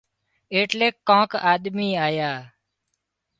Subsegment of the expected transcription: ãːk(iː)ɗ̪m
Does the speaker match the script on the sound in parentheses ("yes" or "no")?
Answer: no